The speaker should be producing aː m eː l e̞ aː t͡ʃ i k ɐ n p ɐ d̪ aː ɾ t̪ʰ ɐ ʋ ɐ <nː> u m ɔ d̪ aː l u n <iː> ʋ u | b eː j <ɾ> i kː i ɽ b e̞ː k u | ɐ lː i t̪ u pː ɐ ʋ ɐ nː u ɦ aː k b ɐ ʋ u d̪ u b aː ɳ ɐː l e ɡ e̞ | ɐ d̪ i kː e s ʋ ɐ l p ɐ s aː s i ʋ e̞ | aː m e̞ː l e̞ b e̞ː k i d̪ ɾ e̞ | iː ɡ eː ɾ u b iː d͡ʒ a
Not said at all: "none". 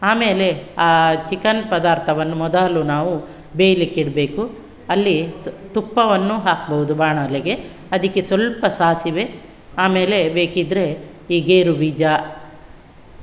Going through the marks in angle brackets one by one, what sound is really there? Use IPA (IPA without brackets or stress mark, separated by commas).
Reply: nː, aː, l